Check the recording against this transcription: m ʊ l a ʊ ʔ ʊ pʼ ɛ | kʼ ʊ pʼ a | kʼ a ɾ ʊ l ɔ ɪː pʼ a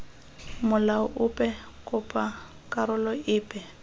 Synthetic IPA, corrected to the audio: m ʊ l a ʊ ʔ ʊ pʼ ɛ | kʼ ʊ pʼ a | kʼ a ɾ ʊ l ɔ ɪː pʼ ɛ